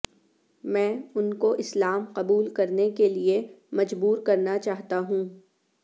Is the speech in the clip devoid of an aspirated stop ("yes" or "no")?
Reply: yes